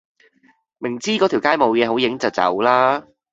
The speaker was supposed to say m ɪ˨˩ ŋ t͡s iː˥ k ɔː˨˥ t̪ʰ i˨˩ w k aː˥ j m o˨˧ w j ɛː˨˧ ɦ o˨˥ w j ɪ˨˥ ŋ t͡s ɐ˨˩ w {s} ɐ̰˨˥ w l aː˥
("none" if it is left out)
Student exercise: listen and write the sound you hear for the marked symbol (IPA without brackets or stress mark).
t͡s